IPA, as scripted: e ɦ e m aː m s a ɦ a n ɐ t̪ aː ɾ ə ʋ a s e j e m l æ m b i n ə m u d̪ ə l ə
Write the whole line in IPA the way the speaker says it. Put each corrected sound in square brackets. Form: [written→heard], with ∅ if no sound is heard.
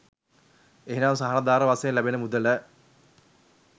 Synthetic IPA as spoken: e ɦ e [m→n] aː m s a ɦ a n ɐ [t̪→d̪] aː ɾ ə ʋ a s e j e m l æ [m→∅] b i n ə m u d̪ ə l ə